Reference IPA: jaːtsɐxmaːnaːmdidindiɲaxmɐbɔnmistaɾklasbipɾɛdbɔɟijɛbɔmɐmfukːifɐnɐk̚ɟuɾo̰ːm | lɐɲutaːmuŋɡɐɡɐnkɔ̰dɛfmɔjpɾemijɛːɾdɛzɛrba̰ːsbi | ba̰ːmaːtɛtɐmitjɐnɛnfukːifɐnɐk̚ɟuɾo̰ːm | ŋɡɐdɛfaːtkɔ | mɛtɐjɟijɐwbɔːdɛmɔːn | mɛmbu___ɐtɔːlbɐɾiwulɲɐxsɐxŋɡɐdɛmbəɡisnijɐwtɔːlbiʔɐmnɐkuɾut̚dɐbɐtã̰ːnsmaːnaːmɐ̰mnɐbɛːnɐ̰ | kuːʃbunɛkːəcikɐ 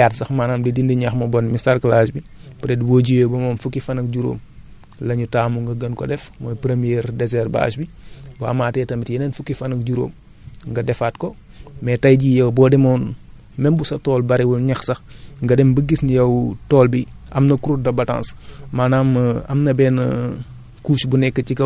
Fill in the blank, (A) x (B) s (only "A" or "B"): B